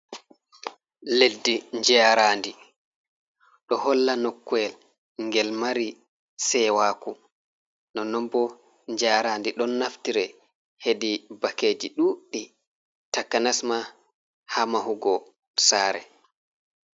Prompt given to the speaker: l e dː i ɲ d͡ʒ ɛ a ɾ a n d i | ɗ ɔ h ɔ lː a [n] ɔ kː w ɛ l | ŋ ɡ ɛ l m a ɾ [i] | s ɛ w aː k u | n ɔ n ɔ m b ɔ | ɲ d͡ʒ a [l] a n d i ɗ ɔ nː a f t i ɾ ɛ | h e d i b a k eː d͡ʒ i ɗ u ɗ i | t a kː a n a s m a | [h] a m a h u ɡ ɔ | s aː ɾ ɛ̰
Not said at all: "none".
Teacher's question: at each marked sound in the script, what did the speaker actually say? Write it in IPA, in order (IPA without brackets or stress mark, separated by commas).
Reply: n, i, ɾ, h